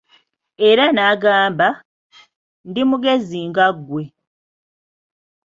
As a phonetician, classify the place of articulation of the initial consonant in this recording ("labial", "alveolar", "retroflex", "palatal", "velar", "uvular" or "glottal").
alveolar